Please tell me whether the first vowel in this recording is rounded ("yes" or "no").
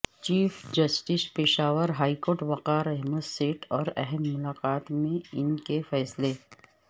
no